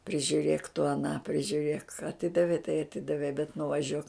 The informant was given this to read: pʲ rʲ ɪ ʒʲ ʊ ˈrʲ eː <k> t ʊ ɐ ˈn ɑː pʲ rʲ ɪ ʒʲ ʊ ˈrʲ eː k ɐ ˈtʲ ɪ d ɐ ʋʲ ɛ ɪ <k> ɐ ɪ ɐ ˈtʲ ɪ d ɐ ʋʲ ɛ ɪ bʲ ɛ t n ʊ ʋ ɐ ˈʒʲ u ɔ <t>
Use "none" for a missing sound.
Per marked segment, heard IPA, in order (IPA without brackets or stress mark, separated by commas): k, t, k